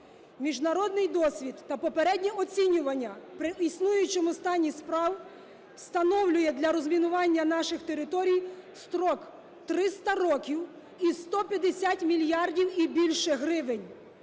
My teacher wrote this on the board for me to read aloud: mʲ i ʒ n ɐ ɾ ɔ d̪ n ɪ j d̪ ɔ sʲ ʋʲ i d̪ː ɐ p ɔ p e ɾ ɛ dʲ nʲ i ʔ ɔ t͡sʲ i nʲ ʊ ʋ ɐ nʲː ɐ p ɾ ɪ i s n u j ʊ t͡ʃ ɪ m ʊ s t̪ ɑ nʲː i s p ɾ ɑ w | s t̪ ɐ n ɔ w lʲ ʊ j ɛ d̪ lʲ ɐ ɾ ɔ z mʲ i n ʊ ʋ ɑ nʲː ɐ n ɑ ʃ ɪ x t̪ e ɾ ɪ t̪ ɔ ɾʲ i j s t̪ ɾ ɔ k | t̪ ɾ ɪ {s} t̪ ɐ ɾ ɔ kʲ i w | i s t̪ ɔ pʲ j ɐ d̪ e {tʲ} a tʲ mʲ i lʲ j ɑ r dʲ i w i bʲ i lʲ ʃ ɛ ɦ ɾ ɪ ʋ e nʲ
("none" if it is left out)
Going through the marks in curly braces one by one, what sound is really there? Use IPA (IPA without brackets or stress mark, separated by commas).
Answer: s, sʲ